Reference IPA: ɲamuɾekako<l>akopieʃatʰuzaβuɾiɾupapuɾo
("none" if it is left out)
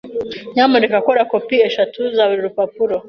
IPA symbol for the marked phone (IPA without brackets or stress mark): ɾ